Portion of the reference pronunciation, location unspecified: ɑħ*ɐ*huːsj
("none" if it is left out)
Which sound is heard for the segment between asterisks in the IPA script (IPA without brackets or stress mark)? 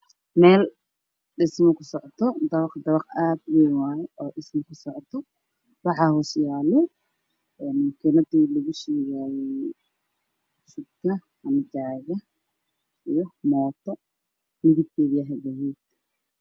ɑ